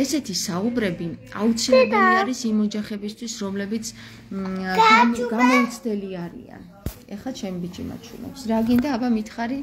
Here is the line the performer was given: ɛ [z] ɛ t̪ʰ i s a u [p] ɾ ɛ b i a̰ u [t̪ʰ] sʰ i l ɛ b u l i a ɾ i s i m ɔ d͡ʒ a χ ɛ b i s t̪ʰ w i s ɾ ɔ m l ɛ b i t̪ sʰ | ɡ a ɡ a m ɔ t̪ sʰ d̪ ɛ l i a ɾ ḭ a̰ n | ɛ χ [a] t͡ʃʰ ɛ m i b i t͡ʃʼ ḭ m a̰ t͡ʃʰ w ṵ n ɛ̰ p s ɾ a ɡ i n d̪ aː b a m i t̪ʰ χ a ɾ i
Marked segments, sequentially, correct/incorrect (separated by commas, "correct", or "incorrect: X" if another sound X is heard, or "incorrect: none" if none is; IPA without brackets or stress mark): incorrect: s, incorrect: b, incorrect: t̪, correct